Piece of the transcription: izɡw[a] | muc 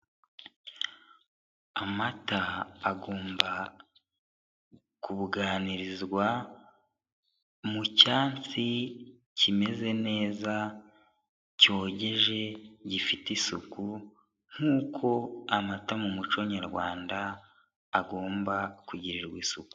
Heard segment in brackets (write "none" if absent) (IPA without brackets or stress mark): a